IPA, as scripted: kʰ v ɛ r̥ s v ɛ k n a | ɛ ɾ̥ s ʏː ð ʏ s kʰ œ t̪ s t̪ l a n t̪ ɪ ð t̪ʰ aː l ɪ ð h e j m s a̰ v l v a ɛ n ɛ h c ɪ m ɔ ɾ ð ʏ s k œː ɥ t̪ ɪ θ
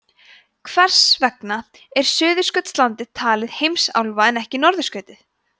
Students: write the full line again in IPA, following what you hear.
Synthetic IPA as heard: kʰ v ɛ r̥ s v ɛ k n a | ɛ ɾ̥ s ʏː ð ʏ s k œ t̪ s t̪ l a n t̪ ɪ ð t̪ʰ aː l ɪ ð h e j m s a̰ w l v a ɛ n ɛ h c ɪ n ɔ ɾ ð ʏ s k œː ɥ t̪ ɪ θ